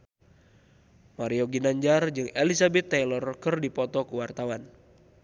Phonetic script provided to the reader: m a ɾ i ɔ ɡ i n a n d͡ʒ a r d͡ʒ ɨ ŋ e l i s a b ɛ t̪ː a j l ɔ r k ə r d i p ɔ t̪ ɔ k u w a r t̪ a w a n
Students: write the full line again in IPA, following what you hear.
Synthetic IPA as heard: m a ɾ i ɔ ɡ i n a ɲ d͡ʒ a r d͡ʒ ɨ ŋ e l i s a b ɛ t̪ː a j l ɔ r k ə r d i p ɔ t̪ ɔ k u w a r t̪ a w a n